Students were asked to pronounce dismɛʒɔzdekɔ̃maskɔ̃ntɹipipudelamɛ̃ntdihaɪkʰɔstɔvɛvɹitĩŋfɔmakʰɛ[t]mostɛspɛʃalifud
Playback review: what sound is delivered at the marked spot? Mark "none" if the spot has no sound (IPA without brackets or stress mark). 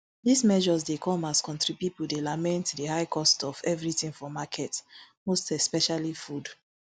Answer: t